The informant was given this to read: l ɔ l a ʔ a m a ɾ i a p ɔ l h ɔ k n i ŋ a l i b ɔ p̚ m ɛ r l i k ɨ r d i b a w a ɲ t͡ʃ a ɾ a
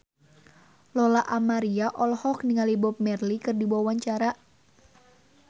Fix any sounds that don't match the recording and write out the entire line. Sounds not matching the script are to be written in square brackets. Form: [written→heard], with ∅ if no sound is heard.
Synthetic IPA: l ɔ l a ʔ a m a ɾ i a [p→ʔ] ɔ l h ɔ k n i ŋ a l i b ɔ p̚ m ɛ r l i k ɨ r d i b a w a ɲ t͡ʃ a ɾ a